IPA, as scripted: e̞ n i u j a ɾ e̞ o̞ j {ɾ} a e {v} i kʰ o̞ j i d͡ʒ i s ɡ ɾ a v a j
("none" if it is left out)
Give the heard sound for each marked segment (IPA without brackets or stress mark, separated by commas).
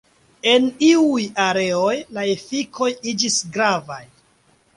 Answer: l, f